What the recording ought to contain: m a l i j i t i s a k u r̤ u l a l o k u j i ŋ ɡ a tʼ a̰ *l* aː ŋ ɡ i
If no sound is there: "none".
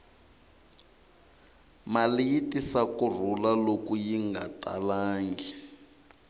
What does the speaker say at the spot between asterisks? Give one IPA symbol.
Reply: l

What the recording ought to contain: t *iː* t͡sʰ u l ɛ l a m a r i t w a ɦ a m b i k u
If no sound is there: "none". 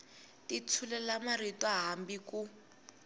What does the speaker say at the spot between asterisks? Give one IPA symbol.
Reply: i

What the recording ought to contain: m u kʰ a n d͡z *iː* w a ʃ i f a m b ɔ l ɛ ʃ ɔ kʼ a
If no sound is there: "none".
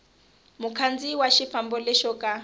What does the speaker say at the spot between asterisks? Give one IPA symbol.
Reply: i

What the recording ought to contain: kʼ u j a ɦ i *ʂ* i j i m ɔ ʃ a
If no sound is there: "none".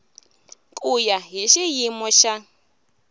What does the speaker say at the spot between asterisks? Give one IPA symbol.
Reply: ʃ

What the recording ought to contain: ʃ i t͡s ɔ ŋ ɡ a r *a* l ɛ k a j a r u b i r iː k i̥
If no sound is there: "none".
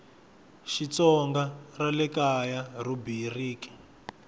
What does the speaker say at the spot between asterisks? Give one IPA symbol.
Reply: a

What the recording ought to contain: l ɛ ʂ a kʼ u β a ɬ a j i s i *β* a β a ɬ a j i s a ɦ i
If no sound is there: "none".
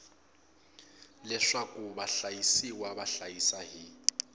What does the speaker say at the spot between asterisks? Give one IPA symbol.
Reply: w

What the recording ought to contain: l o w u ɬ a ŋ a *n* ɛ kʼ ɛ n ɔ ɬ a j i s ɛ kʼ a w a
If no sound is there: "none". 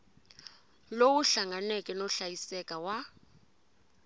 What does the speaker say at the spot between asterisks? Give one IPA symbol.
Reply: n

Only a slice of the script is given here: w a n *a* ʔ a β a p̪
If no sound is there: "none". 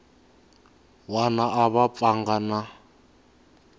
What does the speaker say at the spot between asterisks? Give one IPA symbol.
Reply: a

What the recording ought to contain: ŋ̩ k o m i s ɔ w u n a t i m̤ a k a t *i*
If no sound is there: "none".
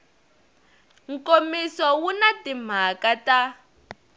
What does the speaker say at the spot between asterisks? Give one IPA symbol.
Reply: a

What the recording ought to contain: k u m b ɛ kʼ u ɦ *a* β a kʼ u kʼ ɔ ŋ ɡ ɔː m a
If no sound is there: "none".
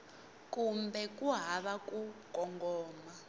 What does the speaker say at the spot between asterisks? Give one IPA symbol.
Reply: a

